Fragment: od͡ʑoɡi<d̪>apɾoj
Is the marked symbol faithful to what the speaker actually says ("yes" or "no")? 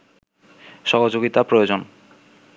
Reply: no